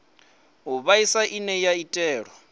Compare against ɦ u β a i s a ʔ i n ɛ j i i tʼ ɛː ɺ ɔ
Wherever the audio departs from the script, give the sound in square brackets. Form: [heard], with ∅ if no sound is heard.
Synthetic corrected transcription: ɦ u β a i s a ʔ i n ɛ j [a] i tʼ ɛː ɺ ɔ